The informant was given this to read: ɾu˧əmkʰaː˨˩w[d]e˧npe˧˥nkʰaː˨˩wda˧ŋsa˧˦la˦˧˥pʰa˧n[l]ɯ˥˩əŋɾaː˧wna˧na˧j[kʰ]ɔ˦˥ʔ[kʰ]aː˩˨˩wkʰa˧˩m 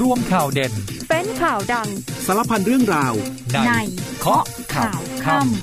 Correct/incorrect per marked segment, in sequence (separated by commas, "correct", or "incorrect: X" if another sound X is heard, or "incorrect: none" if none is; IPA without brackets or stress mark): correct, incorrect: ɾ, correct, correct